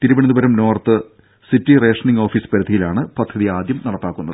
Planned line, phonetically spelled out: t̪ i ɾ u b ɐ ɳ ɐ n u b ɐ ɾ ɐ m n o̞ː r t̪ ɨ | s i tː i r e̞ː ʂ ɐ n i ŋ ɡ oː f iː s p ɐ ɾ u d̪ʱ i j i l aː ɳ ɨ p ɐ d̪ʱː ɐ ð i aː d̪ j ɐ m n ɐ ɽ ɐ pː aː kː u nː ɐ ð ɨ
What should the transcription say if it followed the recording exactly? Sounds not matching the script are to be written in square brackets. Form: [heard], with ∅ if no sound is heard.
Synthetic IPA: t̪ i ɾ u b ɐ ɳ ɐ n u b ɐ ɾ ɐ m n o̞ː r t̪ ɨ | s i tː i r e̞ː ʂ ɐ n i ŋ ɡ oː f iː s p ɐ ɾ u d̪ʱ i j i l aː ɳ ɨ p ɐ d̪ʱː ɐ ð i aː d̪ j ɐ m n ɐ ɽ ɐ pː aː kː u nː ɐ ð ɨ